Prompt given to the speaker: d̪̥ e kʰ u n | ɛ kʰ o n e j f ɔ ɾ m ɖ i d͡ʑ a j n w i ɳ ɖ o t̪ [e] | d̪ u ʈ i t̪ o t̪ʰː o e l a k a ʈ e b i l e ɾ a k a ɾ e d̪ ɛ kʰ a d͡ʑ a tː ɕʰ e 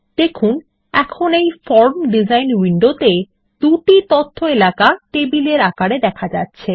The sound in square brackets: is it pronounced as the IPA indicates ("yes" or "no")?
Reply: yes